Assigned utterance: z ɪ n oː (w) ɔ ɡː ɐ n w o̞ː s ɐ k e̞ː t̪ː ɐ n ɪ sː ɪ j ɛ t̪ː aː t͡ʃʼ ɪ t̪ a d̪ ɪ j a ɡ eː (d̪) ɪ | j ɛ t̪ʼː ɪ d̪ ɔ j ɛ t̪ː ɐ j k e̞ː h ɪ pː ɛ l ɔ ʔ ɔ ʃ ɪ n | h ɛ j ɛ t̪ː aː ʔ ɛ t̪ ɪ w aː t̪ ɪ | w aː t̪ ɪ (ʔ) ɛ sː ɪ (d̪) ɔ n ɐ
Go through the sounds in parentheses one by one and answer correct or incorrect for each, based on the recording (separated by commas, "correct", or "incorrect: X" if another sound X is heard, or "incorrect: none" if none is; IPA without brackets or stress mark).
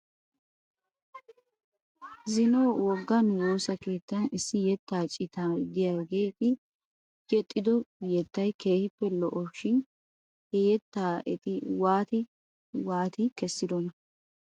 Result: correct, incorrect: t̪, incorrect: k, correct